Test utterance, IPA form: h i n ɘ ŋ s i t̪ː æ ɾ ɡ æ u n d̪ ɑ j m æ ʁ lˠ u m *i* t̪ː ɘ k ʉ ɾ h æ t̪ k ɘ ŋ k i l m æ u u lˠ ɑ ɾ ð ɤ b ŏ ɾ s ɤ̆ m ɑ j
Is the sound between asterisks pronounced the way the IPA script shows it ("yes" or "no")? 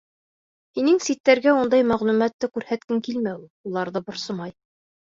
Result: no